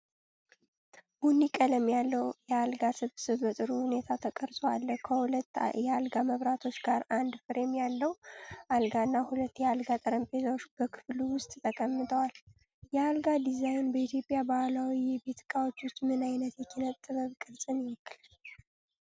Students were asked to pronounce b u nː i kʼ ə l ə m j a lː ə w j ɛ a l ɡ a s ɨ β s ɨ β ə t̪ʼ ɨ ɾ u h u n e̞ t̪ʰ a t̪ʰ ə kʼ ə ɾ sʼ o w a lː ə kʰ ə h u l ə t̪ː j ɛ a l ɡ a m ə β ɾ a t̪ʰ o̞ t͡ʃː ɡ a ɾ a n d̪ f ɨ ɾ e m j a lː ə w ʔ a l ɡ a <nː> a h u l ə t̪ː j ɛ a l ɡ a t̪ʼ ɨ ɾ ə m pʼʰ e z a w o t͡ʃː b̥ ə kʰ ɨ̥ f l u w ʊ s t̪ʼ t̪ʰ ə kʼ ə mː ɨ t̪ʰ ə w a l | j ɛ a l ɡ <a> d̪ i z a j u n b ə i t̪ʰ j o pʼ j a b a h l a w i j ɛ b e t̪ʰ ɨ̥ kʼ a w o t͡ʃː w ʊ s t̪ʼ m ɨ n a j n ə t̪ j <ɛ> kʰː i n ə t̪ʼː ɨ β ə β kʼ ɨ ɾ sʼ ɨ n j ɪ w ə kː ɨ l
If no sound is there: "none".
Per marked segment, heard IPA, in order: nː, a, ɛ

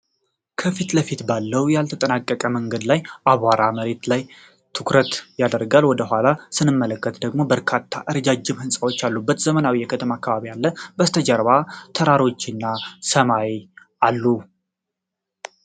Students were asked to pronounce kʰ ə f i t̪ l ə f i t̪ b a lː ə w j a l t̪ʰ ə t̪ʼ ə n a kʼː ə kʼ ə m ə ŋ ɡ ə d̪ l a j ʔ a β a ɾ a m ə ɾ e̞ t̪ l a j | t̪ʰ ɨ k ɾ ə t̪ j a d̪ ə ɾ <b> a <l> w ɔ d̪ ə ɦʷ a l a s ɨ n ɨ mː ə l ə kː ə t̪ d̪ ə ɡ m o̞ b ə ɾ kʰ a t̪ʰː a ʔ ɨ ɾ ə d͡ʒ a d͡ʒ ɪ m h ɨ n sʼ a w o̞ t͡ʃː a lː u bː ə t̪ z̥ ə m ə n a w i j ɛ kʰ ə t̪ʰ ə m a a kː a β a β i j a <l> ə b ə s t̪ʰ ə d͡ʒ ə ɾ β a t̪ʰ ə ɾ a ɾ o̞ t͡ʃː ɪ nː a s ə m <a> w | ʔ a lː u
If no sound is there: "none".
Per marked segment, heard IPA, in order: ɡ, l, lː, a

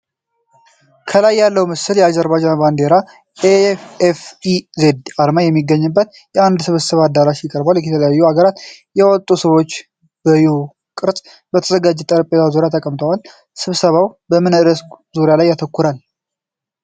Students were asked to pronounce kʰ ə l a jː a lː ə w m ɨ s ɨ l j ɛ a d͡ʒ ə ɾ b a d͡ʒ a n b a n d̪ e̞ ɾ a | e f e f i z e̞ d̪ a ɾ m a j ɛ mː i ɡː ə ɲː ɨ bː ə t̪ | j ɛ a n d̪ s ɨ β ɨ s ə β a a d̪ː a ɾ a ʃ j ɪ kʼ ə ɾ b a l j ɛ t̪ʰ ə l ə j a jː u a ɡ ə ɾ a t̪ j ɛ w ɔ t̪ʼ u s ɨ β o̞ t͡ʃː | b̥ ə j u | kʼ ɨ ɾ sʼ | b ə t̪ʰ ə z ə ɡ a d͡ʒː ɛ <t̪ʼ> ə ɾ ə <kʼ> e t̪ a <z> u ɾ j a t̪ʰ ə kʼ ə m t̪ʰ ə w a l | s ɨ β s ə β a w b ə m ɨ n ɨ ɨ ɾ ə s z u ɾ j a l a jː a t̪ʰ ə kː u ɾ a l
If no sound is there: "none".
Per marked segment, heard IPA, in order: t̪ʼ, pʼ, z

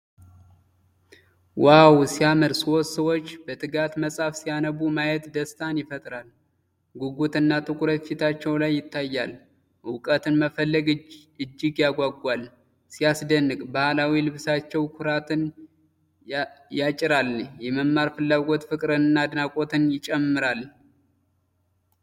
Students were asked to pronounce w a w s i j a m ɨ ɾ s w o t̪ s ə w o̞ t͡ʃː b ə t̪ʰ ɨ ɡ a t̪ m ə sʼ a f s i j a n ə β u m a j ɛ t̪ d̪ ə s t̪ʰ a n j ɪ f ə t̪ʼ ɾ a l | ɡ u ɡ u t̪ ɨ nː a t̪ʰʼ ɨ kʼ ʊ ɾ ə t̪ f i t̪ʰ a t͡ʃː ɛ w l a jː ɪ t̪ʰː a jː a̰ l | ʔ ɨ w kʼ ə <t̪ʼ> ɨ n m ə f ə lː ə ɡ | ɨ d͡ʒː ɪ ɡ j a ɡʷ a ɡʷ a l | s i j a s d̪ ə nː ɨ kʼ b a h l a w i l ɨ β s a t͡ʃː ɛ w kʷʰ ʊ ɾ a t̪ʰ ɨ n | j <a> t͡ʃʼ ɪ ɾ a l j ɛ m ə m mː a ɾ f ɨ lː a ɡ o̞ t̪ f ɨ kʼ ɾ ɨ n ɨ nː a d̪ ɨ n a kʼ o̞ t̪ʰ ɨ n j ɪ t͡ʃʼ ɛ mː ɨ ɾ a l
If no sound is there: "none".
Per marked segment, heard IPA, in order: t̪, a

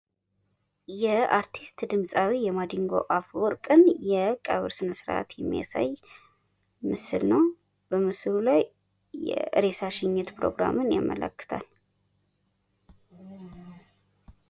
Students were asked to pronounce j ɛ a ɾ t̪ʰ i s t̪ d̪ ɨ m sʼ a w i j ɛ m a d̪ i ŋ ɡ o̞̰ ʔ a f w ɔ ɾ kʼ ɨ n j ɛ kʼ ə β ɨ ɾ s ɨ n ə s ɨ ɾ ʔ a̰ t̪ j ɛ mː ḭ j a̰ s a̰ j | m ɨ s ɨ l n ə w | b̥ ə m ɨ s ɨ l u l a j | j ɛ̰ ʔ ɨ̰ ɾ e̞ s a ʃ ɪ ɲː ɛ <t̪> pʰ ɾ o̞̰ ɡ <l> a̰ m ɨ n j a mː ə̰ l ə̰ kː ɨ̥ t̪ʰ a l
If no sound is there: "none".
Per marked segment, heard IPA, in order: t̪, ɾ

